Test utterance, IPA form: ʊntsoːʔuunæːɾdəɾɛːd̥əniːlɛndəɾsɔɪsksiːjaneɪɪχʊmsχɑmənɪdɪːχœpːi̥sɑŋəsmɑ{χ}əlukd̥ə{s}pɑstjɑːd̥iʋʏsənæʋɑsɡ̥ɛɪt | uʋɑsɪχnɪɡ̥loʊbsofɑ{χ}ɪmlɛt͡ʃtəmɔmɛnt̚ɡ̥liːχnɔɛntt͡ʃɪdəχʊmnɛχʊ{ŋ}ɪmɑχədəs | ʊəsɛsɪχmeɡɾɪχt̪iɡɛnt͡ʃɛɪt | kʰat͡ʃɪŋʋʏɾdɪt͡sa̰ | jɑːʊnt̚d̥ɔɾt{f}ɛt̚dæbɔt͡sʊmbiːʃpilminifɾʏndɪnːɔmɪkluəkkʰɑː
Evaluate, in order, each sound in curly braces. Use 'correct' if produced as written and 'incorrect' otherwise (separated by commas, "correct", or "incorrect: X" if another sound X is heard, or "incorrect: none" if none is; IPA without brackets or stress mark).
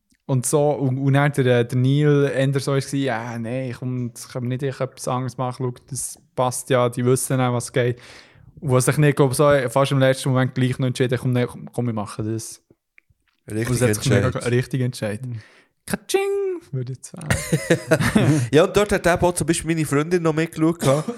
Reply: correct, correct, incorrect: ʃ, incorrect: m, incorrect: h